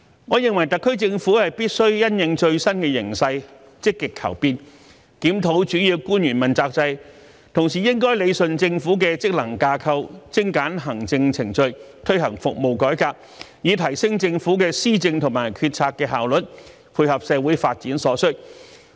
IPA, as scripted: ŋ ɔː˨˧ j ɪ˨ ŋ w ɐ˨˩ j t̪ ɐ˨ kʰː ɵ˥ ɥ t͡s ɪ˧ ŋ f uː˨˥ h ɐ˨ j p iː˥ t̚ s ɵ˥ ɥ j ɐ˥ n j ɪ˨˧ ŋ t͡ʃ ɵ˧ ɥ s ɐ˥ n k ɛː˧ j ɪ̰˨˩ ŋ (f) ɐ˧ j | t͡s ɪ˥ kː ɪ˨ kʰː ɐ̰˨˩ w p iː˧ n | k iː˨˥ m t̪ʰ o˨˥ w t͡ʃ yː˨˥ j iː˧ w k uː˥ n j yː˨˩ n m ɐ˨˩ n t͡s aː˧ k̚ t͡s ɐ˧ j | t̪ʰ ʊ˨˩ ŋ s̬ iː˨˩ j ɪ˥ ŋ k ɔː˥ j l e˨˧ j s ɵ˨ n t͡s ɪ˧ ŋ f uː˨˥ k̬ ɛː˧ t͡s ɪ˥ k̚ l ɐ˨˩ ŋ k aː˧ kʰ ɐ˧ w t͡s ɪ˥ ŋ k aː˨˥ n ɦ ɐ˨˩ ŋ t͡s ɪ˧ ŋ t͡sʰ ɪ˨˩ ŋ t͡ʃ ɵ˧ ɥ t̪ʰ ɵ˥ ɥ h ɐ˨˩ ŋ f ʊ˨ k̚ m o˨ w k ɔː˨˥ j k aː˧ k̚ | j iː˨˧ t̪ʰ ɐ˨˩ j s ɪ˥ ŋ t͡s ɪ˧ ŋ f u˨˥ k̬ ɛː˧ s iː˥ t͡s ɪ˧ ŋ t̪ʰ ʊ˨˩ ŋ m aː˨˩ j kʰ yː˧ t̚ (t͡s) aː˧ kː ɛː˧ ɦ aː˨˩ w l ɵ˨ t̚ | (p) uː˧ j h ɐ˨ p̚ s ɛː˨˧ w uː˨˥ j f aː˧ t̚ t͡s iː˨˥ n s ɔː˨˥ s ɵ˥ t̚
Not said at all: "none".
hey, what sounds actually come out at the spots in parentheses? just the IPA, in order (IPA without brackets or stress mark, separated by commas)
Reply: s, t͡sʰ, pʰ